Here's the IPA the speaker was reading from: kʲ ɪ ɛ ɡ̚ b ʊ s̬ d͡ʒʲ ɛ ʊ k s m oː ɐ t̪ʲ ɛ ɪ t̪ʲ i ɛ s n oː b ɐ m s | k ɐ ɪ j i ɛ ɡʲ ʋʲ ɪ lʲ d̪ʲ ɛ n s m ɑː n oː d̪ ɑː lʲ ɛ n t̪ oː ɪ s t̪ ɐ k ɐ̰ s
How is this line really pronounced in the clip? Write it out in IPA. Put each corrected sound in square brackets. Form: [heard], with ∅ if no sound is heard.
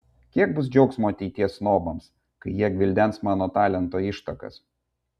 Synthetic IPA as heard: kʲ [i] ɛ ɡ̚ b ʊ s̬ d͡ʒʲ ɛ ʊ k s m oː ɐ t̪ʲ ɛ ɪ t̪ʲ i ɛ s n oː b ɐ m s | k ɐ ɪ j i ɛ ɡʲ ʋʲ ɪ lʲ d̪ʲ ɛ n s m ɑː n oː [t̪] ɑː lʲ ɛ n t̪ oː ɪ [ʃ] t̪ ɐ k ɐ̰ s